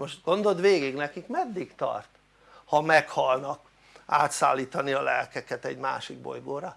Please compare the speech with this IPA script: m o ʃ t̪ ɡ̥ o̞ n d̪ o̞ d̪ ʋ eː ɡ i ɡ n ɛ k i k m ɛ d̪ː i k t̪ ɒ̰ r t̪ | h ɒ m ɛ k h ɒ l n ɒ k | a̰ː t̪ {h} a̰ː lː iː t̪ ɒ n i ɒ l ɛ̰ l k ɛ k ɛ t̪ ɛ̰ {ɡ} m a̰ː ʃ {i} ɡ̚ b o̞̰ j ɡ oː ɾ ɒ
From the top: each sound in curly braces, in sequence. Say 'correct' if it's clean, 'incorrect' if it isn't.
incorrect: s, incorrect: ɟ, correct

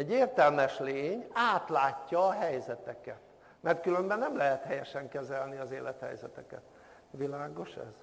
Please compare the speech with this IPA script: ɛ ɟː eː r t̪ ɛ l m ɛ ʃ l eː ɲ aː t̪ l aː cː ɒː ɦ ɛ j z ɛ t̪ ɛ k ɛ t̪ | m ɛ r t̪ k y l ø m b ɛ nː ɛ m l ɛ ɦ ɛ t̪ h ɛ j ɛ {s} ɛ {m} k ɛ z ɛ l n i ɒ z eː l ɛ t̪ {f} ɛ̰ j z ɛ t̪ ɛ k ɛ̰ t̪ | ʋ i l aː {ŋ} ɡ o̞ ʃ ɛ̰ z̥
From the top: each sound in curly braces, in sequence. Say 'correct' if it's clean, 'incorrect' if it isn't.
incorrect: ʃ, incorrect: ŋ, incorrect: h, incorrect: none

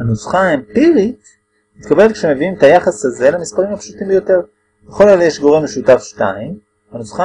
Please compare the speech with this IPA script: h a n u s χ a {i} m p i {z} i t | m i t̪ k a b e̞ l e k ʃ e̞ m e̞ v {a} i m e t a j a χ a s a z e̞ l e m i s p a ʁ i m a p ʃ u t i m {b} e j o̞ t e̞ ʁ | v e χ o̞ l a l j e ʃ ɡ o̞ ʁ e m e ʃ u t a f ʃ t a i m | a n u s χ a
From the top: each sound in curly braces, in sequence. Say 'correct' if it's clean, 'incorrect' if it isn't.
incorrect: e, incorrect: ʁ, incorrect: i, correct

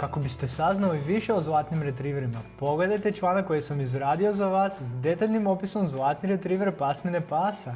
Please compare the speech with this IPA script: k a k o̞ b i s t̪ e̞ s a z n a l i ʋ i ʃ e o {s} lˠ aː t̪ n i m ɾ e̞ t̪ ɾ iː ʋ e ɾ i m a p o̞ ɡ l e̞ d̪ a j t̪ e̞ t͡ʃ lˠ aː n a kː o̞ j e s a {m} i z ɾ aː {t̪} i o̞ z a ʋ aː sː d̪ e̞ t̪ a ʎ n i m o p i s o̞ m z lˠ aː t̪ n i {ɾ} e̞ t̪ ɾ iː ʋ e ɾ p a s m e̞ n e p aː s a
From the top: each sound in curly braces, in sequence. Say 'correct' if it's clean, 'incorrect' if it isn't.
incorrect: z, correct, incorrect: d̪, correct

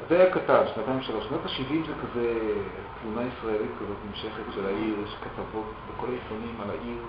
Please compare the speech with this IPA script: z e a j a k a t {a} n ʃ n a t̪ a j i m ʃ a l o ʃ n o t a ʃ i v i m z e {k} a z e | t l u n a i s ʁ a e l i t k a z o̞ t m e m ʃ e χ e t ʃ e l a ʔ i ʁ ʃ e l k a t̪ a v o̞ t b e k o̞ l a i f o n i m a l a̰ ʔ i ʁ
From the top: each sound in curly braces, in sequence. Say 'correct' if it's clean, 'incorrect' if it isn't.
correct, correct

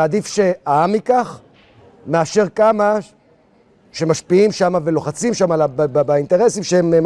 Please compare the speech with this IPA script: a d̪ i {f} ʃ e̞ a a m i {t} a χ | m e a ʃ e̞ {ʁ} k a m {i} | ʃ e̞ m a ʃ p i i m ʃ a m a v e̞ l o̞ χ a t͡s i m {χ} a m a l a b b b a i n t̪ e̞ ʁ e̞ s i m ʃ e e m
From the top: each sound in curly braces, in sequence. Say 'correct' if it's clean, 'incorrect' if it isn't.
correct, incorrect: k, correct, incorrect: a, incorrect: ʃ

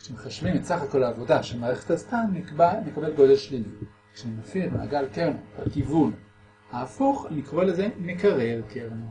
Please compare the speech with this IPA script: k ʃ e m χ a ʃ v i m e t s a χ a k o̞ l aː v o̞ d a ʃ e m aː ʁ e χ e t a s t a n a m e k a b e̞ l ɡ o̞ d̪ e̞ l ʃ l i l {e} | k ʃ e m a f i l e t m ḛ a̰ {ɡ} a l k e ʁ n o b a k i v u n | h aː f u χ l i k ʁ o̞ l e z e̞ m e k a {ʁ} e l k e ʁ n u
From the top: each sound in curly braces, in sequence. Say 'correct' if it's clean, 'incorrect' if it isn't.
incorrect: i, correct, correct

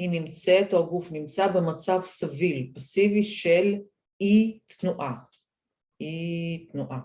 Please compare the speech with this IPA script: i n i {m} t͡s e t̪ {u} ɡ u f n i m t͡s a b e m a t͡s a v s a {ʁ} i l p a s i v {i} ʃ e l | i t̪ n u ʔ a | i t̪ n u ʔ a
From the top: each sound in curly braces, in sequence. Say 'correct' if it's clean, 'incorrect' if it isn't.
correct, incorrect: o, incorrect: v, correct

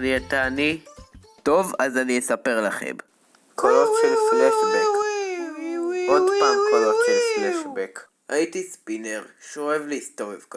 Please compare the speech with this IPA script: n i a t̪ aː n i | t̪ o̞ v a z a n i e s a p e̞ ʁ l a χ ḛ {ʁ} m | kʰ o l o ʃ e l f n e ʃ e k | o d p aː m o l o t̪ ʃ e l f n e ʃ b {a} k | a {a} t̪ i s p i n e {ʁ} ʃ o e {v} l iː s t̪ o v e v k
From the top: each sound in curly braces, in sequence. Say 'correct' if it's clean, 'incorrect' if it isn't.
incorrect: none, incorrect: e, incorrect: i, correct, correct

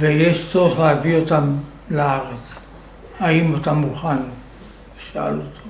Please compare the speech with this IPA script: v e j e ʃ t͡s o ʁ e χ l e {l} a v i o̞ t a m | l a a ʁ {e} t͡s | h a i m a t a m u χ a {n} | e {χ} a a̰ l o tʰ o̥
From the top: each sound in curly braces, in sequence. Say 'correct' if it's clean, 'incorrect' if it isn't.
incorrect: none, correct, correct, incorrect: ʃ

